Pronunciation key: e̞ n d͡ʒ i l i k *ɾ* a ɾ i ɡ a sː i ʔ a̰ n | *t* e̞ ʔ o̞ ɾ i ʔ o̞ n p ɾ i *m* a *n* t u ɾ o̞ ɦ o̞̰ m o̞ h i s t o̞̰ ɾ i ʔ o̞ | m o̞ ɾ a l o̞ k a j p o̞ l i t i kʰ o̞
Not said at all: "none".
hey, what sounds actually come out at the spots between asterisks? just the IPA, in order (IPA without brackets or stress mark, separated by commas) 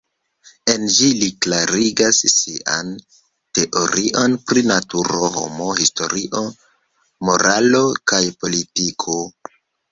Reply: l, t, n, none